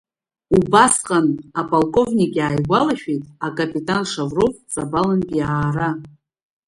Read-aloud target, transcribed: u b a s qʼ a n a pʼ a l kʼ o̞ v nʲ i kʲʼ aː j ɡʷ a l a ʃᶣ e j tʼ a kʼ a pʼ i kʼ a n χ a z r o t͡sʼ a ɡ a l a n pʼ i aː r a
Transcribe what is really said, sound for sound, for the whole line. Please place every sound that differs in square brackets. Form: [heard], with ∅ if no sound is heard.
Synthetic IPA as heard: u b a s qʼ a n a pʼ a l kʼ o̞ v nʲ i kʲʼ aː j ɡʷ a l a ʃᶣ e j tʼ a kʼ a pʼ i [tʼ] a n [ʂ] a [v] r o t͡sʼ a [b] a l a n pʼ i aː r a